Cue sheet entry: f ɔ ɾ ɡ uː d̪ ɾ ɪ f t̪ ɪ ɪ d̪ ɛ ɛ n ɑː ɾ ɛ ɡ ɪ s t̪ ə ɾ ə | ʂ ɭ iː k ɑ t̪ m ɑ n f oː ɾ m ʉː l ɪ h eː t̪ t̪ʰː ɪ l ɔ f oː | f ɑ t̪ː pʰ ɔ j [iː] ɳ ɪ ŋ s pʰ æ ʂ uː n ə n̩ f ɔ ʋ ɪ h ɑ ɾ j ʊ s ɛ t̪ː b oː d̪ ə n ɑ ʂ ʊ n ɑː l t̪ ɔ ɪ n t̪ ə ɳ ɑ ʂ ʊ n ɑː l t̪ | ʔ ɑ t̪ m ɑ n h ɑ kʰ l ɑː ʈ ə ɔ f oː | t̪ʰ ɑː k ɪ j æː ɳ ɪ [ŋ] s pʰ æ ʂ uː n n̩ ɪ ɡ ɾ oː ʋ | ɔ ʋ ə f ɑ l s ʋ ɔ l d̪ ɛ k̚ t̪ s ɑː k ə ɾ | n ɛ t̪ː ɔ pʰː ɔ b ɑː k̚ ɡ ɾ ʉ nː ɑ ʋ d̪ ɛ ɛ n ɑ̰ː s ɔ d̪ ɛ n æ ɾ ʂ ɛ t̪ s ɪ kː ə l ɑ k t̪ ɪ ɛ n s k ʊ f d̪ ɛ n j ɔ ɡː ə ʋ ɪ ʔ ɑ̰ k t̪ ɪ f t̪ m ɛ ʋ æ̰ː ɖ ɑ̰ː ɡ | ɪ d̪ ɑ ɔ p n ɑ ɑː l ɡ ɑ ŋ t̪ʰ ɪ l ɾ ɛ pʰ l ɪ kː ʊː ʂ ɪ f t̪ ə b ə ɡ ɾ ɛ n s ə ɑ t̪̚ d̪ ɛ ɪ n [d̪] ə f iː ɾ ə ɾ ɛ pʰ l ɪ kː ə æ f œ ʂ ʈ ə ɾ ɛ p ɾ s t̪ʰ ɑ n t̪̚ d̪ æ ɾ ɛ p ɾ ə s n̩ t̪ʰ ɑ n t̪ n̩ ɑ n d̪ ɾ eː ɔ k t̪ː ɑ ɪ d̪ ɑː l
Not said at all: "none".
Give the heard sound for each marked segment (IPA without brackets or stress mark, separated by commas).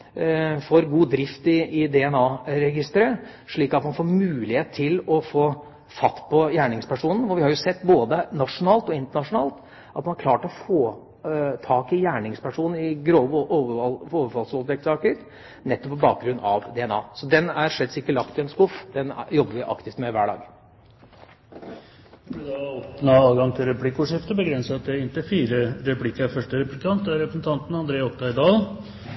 æː, ŋ, t̪